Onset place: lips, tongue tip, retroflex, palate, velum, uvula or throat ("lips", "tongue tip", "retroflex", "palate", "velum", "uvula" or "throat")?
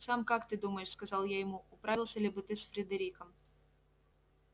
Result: tongue tip